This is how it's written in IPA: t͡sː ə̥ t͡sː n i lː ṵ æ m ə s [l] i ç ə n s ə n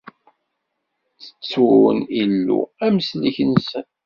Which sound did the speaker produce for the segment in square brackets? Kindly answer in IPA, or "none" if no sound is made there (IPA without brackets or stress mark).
l